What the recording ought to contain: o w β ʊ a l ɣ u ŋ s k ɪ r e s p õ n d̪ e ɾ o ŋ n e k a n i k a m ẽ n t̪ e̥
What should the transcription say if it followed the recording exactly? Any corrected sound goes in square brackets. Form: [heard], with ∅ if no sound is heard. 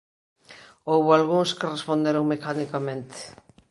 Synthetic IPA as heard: o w β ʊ a l ɣ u ŋ s k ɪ r e s p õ n d̪ e ɾ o ŋ [m] e k a n i k a m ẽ n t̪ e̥